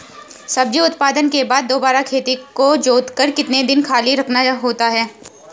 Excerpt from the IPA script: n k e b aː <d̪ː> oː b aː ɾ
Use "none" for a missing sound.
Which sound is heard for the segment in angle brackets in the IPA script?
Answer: d̪ː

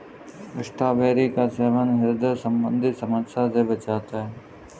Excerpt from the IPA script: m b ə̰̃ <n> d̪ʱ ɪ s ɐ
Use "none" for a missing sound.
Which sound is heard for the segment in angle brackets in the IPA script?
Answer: n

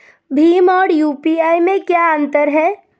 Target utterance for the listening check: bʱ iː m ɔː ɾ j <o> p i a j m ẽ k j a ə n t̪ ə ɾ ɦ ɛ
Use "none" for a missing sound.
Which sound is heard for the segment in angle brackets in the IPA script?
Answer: u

